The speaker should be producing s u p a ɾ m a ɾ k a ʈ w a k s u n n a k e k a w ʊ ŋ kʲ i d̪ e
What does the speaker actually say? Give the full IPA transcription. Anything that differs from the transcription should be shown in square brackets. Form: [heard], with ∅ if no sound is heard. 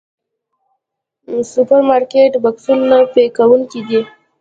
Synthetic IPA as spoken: s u p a ɾ m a ɾ k [e] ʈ [b] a k s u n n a [p] e k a w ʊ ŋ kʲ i d̪ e